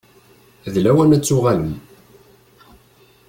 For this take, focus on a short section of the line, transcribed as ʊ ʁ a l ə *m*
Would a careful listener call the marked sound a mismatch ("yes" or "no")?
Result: no